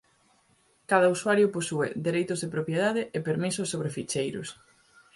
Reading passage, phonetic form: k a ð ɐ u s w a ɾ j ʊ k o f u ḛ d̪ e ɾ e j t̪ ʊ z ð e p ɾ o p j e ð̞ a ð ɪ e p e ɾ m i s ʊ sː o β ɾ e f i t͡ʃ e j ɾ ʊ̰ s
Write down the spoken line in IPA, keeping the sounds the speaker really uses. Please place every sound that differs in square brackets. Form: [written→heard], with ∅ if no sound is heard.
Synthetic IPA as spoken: k a ð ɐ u s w a ɾ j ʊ [k→p] o [f→s] u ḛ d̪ e ɾ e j t̪ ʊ z ð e p ɾ o p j e ð̞ a ð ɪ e p e ɾ m i s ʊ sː o β ɾ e f i t͡ʃ e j ɾ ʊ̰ s